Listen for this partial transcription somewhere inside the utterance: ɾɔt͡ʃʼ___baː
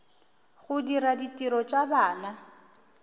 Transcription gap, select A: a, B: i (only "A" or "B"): A